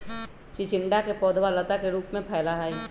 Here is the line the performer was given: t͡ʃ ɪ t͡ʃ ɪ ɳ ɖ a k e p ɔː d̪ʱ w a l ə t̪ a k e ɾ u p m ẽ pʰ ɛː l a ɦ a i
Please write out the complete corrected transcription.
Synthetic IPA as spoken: t͡ʃ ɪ t͡ʃ ɪ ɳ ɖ a k e p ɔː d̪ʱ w a l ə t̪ a k e ɾ uː p m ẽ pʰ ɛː l a ɦ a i